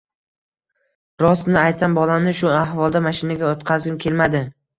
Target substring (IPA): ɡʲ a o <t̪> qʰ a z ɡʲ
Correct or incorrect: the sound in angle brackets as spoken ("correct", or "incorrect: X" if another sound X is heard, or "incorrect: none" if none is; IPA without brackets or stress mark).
correct